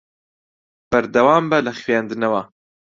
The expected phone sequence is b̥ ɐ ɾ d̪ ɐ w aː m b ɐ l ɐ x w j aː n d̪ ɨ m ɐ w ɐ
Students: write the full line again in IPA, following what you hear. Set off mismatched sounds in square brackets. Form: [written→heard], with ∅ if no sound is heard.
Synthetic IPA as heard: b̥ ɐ ɾ d̪ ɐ w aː m b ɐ l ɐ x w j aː n d̪ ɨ [m→n] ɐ w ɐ